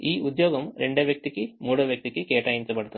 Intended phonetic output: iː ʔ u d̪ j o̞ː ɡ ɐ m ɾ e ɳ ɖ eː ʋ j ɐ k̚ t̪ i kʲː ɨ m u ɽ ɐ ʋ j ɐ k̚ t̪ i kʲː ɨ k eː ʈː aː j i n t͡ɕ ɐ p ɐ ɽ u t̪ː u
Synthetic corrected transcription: iː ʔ u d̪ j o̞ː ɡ ɐ m ɾ e ɳ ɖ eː ʋ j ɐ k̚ t̪ i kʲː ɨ m uː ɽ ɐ ʋ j ɐ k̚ t̪ i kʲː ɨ k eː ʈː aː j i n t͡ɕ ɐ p ɐ ɽ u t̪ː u